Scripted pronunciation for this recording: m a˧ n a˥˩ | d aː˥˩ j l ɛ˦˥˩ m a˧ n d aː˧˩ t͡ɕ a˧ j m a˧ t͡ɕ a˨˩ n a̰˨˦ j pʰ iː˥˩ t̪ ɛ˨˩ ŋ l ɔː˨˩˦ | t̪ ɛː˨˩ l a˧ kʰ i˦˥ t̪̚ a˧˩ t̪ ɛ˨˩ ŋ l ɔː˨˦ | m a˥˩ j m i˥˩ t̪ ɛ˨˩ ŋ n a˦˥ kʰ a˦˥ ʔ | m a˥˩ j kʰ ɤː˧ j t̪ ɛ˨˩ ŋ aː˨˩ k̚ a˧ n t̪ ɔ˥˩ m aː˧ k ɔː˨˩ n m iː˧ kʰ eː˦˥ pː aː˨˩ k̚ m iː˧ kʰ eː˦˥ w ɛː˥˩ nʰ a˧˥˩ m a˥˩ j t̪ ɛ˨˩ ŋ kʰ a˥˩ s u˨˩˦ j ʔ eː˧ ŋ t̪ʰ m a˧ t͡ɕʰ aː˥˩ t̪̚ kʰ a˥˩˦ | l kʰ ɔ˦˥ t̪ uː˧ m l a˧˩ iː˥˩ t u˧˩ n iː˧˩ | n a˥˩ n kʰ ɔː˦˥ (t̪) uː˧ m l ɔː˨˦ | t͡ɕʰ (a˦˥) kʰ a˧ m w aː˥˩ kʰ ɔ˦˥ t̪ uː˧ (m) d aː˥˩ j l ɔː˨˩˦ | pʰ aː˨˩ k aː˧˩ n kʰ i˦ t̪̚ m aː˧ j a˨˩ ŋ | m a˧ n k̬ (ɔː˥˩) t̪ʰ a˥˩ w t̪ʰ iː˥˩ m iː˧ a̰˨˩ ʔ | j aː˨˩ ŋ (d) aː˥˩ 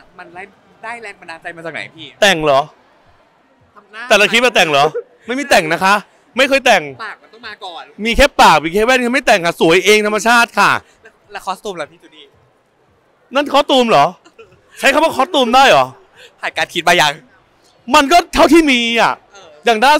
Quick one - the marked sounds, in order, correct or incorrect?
correct, correct, correct, correct, correct

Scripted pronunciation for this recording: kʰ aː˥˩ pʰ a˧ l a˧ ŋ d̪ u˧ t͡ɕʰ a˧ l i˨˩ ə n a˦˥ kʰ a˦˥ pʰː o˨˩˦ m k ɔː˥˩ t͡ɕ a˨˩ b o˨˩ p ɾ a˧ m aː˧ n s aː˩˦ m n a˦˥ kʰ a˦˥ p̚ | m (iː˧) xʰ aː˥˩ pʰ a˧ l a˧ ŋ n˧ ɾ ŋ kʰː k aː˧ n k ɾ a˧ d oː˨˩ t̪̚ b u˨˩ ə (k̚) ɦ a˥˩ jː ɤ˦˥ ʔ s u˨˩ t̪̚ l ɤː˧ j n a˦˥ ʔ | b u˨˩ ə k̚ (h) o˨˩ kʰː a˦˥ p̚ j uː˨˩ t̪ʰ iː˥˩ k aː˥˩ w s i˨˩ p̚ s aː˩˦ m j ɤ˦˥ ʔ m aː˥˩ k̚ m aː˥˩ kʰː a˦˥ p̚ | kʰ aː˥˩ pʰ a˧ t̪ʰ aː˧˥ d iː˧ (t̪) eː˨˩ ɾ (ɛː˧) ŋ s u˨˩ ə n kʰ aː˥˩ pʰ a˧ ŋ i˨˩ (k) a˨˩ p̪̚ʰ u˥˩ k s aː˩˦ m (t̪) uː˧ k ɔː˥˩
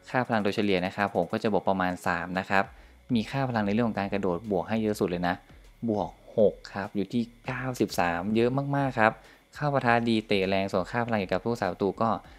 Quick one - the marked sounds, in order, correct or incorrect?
correct, correct, correct, correct, correct, correct, correct

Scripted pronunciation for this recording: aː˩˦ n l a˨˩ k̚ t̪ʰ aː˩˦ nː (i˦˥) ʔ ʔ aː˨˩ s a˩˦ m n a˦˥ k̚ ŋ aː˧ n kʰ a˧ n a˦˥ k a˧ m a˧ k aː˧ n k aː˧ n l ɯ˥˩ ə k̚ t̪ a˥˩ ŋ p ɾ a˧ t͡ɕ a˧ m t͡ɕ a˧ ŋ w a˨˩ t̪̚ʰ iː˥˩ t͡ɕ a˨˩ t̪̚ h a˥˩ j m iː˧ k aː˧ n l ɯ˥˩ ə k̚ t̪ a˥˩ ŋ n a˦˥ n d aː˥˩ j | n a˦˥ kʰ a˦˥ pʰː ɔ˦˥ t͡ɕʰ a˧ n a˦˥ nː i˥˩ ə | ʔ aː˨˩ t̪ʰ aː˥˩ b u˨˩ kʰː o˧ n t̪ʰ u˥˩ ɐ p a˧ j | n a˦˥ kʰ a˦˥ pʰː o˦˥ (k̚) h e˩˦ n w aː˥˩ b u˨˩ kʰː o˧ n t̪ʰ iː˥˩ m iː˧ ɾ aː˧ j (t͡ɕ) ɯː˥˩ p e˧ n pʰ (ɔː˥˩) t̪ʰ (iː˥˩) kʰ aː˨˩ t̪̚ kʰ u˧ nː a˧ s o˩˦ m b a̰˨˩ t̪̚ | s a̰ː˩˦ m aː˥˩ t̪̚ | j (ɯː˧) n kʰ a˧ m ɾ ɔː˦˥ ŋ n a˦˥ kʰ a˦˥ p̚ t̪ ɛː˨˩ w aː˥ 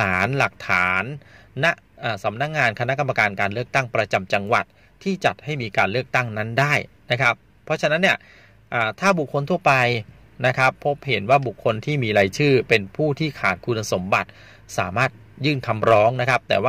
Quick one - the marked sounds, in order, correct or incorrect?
incorrect, incorrect, incorrect, incorrect, correct, incorrect

